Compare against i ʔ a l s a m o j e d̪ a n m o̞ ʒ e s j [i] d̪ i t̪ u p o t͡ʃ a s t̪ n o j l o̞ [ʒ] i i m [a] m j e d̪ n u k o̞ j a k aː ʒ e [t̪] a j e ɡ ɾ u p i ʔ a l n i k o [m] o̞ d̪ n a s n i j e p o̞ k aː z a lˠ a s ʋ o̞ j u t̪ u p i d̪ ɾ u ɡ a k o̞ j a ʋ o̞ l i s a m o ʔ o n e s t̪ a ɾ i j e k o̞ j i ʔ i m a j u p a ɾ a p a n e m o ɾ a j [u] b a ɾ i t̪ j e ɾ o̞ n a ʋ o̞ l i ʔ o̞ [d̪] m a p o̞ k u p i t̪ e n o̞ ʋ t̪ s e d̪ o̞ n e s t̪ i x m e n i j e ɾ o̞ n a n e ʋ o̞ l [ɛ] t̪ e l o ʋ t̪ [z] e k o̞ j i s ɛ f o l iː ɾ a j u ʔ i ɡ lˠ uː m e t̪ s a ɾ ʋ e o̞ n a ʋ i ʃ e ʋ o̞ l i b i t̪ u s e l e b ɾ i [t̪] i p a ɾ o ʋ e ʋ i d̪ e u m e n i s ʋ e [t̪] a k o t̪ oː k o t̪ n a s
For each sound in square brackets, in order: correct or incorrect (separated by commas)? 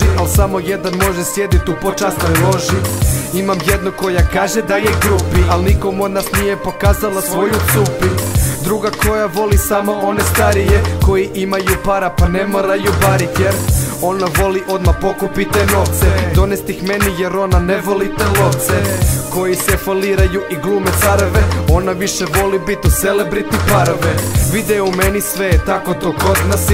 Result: incorrect, correct, correct, incorrect, correct, correct, correct, incorrect, incorrect, correct, correct